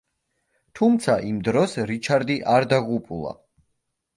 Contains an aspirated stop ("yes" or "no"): yes